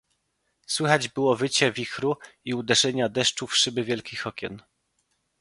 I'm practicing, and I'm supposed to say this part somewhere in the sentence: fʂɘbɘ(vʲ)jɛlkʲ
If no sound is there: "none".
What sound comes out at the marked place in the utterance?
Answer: vʲ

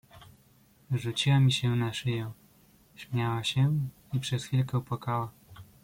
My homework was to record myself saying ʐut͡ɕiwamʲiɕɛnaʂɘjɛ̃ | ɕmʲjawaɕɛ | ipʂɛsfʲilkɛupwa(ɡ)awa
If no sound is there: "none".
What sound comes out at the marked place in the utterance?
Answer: k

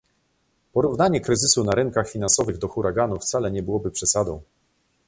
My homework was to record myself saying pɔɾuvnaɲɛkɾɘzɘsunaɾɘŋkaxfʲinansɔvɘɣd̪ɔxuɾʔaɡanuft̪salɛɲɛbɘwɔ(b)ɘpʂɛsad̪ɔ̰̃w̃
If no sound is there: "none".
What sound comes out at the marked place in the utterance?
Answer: b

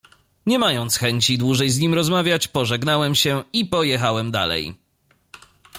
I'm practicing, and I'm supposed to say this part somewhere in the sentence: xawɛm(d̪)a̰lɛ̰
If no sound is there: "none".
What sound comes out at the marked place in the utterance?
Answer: d̪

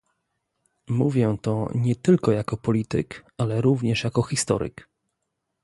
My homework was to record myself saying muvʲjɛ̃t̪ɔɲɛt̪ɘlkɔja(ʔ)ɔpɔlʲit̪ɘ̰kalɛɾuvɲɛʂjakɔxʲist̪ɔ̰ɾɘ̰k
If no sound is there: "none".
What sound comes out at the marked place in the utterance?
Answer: k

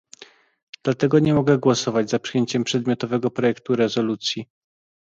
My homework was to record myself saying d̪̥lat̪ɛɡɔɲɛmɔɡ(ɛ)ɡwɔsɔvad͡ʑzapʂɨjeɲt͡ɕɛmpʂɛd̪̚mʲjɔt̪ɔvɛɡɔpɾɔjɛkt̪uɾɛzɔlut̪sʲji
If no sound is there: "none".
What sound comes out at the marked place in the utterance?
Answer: ɛ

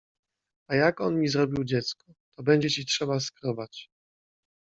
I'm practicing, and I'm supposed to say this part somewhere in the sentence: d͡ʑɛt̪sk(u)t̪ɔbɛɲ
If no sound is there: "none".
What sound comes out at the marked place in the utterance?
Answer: ɔ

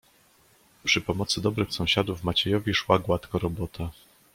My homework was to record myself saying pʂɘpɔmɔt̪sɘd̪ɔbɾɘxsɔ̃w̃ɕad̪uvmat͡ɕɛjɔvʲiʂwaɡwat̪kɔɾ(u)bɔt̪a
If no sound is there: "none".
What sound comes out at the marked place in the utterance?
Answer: ɔ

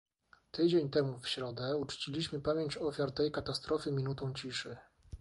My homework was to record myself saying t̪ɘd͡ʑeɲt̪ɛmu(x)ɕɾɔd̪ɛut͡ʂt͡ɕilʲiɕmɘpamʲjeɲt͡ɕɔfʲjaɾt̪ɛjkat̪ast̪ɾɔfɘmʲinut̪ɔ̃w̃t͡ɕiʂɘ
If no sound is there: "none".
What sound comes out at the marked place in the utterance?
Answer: f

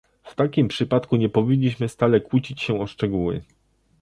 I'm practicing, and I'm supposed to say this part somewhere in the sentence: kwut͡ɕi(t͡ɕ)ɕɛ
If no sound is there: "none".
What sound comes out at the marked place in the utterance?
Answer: t͡ɕ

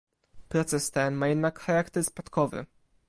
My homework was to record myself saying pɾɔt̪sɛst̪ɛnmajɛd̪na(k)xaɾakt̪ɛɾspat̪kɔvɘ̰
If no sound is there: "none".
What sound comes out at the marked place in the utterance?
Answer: k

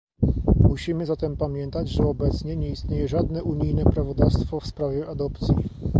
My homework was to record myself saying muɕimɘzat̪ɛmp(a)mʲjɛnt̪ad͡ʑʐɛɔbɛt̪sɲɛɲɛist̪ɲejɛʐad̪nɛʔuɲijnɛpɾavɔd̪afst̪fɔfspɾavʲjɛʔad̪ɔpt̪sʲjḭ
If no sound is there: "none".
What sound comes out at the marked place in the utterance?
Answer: a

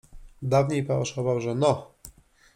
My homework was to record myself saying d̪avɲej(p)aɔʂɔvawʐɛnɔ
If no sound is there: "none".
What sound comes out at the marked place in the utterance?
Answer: p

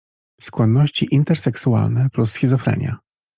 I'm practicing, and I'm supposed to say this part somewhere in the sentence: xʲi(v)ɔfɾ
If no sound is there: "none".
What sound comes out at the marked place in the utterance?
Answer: z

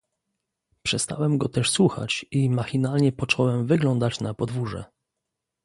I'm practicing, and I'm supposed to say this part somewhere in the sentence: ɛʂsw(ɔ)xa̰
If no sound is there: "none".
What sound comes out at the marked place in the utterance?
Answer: u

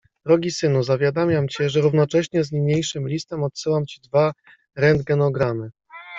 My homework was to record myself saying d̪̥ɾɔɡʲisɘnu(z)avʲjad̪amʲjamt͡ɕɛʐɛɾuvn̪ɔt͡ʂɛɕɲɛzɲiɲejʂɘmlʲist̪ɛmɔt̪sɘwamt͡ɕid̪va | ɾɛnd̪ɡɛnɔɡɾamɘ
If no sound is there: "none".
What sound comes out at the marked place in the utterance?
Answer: z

